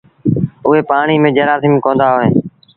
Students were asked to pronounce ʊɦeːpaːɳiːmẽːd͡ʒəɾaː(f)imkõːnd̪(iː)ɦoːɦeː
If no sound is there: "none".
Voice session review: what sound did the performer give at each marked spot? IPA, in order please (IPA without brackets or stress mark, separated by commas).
s, aː